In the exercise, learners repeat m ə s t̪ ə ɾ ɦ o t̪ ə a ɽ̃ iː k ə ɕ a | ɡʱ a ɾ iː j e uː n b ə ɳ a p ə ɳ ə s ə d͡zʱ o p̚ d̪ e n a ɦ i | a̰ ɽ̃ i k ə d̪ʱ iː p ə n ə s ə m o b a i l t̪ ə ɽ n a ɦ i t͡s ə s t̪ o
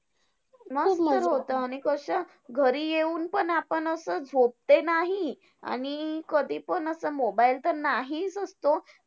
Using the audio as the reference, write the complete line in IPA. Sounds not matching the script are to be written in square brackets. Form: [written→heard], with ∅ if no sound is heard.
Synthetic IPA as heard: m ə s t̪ ə ɾ ɦ o t̪ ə a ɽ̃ [iː→i] k ə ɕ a | ɡʱ [a→ə] ɾ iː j e uː n [b→p] ə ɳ a p ə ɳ ə s ə d͡zʱ o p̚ [d̪→t̪] e n a ɦ i | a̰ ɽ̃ i k ə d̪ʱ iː p ə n ə s ə m o b a i l t̪ ə [ɽ→ɾ] n a ɦ i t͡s ə s t̪ o